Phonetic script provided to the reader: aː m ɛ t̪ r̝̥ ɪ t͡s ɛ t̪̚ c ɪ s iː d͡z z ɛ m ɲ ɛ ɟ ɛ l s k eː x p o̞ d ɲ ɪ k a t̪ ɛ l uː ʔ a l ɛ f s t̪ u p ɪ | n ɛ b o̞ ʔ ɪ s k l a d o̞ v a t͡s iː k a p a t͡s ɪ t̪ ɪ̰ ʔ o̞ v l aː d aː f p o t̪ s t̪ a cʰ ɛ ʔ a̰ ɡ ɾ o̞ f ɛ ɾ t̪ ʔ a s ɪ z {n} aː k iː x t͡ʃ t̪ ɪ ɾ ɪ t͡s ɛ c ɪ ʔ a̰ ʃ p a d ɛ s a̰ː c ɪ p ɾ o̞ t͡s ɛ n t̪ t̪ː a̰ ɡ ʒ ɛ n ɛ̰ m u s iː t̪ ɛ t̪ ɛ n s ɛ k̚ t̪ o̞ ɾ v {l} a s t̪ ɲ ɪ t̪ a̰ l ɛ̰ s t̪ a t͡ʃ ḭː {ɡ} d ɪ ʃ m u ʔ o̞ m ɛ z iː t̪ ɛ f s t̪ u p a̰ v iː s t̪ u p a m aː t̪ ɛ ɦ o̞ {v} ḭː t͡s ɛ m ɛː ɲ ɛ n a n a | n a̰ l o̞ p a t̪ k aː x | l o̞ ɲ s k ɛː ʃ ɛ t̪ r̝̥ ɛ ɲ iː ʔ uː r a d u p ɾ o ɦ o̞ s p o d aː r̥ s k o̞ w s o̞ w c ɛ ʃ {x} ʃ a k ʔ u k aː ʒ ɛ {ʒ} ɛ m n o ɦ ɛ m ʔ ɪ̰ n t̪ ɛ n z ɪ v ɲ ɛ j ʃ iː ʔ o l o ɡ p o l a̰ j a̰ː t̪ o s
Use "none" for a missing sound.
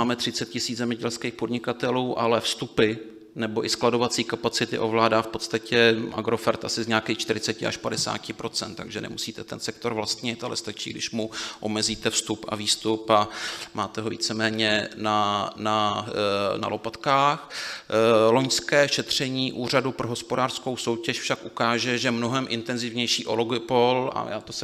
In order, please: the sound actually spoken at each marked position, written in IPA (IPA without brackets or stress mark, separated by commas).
ɲ, l, ɡ, v, f, ʒ